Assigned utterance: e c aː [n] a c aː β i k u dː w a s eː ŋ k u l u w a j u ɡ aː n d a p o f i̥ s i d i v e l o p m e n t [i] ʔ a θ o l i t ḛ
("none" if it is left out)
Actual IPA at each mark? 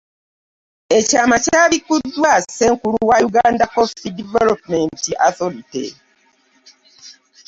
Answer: m, i

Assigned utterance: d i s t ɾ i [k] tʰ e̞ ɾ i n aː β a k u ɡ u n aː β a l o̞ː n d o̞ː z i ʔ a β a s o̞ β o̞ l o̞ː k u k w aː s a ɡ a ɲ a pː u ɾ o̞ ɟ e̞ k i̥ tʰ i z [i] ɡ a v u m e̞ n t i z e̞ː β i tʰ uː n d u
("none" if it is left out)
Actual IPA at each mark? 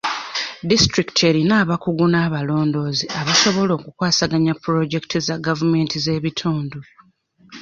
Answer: k, a

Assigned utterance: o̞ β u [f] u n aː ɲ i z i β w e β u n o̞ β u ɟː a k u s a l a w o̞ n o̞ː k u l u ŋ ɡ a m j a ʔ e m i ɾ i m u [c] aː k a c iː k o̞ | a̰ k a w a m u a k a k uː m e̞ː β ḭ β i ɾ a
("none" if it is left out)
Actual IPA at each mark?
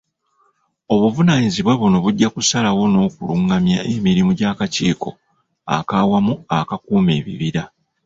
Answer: v, ɟ

